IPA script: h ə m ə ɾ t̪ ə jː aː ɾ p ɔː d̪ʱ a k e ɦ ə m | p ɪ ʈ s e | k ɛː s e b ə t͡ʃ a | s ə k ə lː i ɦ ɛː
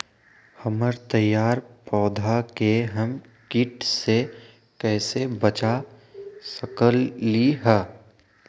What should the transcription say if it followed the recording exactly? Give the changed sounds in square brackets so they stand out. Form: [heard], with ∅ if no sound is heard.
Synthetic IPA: h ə m ə ɾ t̪ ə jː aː ɾ p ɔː d̪ʱ a k e ɦ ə m | [k] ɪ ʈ s e | k ɛː s e b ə t͡ʃ a | s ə k ə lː i ɦ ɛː